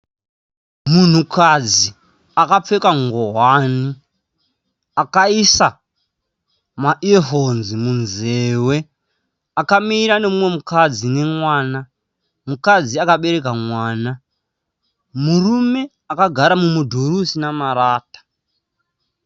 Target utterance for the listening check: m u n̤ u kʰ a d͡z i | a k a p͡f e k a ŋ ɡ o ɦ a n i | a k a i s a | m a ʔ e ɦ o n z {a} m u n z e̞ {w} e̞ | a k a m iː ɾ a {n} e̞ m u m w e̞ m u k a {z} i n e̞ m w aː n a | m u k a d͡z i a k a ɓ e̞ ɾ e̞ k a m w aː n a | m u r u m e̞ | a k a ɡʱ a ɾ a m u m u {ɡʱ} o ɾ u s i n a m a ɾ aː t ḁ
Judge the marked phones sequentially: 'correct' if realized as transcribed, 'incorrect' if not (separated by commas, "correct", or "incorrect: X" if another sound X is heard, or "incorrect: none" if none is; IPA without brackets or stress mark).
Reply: incorrect: i, correct, correct, incorrect: d͡z, incorrect: dʱ